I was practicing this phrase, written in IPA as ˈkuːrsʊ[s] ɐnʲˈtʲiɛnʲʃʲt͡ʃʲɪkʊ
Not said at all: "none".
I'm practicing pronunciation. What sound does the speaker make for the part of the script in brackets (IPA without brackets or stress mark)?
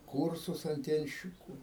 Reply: s